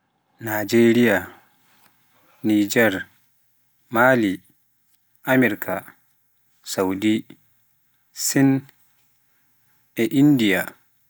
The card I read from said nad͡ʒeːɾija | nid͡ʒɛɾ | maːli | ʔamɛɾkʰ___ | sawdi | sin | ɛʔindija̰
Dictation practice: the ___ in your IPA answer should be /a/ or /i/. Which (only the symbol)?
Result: a